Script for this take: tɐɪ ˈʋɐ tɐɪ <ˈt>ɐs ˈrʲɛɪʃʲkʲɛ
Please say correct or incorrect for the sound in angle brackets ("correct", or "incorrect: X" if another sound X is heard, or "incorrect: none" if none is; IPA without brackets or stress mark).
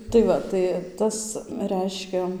correct